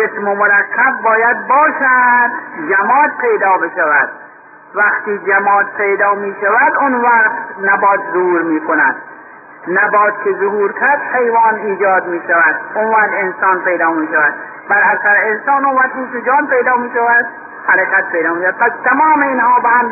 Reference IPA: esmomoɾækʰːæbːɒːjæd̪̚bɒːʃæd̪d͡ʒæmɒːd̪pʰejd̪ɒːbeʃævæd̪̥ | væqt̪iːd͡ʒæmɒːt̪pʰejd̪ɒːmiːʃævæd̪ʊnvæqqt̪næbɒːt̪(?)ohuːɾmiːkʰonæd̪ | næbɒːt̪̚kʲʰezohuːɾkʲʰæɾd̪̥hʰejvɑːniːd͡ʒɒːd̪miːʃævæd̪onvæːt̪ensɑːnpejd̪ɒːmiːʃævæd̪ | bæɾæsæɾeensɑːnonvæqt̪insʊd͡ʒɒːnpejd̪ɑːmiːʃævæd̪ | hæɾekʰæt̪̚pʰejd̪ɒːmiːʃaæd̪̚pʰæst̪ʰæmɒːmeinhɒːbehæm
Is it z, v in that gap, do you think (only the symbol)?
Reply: z